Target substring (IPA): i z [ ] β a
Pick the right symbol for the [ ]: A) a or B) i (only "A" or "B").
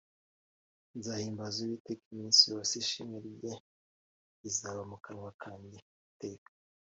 A